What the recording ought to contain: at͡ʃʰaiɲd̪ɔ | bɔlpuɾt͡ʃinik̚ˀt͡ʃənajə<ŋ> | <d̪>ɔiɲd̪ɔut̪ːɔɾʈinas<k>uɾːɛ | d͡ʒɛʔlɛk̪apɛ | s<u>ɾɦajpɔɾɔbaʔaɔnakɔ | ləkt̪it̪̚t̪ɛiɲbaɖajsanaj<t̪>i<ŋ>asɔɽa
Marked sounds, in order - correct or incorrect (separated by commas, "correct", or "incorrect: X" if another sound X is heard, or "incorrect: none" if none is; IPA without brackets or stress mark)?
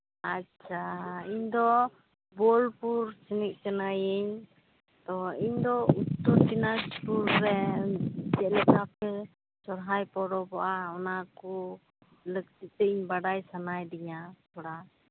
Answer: incorrect: ɲ, incorrect: t̪, incorrect: p, incorrect: ɔ, incorrect: d̪, incorrect: ɲ